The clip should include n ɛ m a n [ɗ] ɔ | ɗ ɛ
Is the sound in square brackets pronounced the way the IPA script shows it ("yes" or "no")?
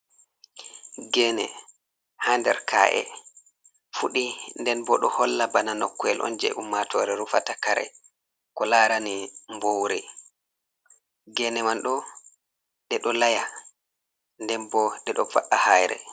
yes